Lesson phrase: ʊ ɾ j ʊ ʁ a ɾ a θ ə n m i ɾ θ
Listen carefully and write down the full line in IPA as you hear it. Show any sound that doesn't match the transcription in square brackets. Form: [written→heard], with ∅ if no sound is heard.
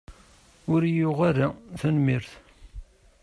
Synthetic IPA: ʊ ɾ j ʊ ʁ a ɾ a θ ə n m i ɾ θ